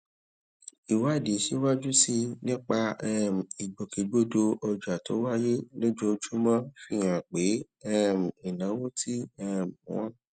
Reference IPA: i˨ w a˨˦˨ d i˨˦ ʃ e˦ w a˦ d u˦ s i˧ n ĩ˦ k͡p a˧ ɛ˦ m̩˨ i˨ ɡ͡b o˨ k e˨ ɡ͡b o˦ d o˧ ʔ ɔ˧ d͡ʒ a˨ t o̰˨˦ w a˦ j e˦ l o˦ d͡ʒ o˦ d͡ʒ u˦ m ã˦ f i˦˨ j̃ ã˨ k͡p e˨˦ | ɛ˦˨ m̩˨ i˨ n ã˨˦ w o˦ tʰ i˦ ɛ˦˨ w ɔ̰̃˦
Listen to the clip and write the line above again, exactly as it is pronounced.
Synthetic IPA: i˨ w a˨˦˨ d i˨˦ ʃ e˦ w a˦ d͡ʒ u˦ s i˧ n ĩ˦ k͡p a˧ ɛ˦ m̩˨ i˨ ɡ͡b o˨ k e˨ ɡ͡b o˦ d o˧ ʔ ɔ˧ d͡ʒ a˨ t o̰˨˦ w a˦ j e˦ l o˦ d͡ʒ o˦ d͡ʒ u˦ m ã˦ f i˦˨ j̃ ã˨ k͡p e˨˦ | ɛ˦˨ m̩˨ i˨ n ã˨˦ w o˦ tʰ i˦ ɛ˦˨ w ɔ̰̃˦